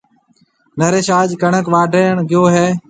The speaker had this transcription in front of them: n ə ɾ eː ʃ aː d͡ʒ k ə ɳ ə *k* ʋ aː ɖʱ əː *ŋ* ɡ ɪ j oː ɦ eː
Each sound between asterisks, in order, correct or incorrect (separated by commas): correct, incorrect